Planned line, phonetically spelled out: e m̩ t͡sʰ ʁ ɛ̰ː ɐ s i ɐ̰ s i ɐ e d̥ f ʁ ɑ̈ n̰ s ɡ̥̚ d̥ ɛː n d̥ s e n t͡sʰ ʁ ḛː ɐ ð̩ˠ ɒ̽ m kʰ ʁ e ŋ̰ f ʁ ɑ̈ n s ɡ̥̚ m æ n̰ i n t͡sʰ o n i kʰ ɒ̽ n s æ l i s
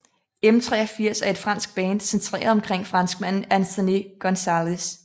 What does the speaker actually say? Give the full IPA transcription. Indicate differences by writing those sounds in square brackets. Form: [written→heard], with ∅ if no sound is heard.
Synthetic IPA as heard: e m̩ t͡sʰ ʁ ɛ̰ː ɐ [s→f] i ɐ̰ s [i→æ] ɐ e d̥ f ʁ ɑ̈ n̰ s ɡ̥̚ [d̥→b̥] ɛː n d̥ s e n t͡sʰ ʁ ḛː ɐ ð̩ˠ ɒ̽ m kʰ ʁ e ŋ̰ f ʁ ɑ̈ n s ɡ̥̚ m æ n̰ [i→æ] n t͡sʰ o n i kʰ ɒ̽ n s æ l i s

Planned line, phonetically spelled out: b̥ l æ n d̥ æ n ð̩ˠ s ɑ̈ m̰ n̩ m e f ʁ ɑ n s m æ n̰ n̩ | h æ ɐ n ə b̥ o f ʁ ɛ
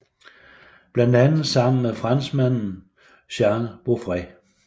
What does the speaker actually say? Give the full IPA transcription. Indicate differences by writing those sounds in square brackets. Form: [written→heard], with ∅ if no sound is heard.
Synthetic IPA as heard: b̥ l æ n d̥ æ n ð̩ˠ s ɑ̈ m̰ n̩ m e f ʁ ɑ n s m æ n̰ n̩ | [h→ɕ] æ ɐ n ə b̥ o f ʁ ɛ

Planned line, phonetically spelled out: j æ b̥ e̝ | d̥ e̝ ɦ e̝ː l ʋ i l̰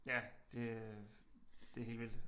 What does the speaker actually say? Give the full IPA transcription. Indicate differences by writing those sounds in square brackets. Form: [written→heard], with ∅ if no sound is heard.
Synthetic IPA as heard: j æ [b̥→d̥] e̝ | d̥ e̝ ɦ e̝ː l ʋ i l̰

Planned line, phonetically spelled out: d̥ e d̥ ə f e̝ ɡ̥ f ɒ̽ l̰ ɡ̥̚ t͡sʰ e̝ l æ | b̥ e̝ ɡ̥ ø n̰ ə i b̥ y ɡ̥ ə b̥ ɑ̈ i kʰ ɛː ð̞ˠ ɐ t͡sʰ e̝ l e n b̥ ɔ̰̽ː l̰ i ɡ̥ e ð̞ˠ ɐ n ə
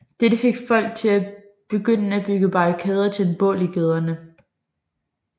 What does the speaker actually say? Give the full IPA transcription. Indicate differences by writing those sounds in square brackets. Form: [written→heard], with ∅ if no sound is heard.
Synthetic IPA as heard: d̥ e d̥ ə f e̝ ɡ̥ f ɒ̽ l̰ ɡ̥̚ t͡sʰ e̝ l æ | b̥ e̝ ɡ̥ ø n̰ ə [i→æ] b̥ y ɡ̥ ə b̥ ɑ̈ i kʰ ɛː ð̞ˠ ɐ t͡sʰ e̝ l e n b̥ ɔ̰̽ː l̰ i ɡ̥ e ð̞ˠ ɐ n ə

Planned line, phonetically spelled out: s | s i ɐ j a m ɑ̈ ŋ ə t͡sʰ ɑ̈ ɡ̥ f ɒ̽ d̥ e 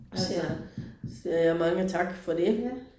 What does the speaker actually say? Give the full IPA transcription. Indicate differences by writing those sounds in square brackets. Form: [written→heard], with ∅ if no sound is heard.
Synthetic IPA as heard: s | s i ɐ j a m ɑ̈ ŋ ə t͡sʰ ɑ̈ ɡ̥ f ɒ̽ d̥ e

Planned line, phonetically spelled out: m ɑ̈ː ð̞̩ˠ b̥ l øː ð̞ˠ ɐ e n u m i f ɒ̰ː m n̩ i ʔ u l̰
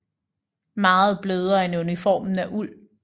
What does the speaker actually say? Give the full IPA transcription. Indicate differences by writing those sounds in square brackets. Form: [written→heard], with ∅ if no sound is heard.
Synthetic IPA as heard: m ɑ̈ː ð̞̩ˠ b̥ l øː ð̞ˠ ɐ e n u [m→n] i f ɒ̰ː m n̩ [i→æ] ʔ u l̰

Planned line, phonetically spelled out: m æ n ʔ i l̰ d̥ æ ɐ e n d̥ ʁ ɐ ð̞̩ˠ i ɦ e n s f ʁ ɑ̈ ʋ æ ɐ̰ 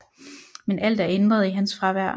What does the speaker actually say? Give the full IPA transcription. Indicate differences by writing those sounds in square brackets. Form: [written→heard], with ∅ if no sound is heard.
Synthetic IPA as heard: m [æ→e] n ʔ [i→æ] l̰ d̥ æ ɐ e n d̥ ʁ ɐ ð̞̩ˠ i ɦ [e→æ] n s f ʁ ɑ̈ ʋ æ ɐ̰

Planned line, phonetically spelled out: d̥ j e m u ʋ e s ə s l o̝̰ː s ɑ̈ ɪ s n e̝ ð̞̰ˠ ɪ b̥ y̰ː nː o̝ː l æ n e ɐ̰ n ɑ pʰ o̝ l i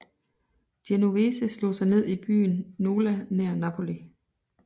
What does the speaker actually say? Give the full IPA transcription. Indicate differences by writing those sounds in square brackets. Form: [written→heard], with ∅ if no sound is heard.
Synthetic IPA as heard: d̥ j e [m→n] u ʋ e s ə s l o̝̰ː s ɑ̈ ɪ [s→∅] n e̝ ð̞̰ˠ [ɪ→i] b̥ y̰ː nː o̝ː l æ n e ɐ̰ n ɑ pʰ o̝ l i

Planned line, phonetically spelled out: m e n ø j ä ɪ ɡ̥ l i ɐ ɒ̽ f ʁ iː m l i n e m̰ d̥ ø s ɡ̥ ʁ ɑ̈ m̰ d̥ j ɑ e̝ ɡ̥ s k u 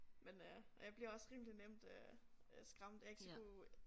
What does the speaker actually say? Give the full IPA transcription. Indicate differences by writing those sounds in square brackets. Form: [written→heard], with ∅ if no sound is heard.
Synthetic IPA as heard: m e n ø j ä ɪ [ɡ̥→b̥] l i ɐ ɒ̽ [f→s] ʁ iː m l i n e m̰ d̥ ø s ɡ̥ ʁ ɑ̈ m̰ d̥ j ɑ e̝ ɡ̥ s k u

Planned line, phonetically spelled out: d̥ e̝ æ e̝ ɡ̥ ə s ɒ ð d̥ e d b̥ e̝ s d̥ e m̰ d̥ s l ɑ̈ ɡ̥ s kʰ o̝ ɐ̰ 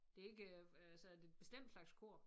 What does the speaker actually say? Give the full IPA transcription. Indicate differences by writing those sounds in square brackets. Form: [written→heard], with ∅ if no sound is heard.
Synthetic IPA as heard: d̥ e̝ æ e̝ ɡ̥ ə s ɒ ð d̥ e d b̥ e̝ s d̥ e m̰ d̥ s l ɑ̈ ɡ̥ s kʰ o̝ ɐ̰

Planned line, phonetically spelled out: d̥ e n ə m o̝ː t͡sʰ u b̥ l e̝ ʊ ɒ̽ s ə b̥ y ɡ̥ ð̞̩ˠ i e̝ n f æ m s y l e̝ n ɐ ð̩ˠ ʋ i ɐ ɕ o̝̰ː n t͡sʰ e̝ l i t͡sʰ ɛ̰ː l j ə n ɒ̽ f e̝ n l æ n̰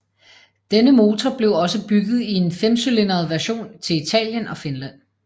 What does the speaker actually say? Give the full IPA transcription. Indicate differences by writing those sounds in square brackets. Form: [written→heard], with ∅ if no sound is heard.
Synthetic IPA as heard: d̥ e n ə m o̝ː t͡sʰ [u→ɒ] b̥ l e̝ ʊ ɒ̽ s ə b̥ y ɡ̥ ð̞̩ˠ i e̝ n f [æ→e] m s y l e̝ n ɐ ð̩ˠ ʋ [i→æ] ɐ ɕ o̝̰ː n t͡sʰ e̝ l i t͡sʰ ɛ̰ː l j ə n ɒ̽ f e̝ n l æ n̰

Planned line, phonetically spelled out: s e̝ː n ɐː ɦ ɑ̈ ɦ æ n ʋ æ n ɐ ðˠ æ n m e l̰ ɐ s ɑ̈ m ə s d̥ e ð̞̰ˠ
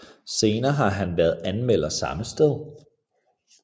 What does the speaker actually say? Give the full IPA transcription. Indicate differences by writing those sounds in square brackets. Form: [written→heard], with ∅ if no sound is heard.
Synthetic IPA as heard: s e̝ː n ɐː ɦ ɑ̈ ɦ æ n ʋ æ [n→∅] ɐ ðˠ æ n m e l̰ ɐ s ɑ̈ m ə s d̥ e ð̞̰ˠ

